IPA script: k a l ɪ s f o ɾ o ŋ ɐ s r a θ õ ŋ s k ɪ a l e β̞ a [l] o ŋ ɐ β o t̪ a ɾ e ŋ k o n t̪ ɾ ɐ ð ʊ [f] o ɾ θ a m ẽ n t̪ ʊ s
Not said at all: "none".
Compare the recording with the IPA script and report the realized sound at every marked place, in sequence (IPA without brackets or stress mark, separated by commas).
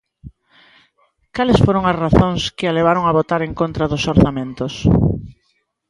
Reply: ɾ, s